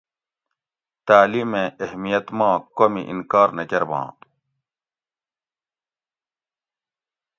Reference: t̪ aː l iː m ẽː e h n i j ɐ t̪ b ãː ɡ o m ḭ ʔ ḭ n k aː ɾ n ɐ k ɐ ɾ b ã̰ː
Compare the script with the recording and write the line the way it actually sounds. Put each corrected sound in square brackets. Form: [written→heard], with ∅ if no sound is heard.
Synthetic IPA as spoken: t̪ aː l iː m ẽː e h [n→m] i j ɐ t̪ [b→m] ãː [ɡ→k] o m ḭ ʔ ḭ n k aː ɾ n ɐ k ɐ ɾ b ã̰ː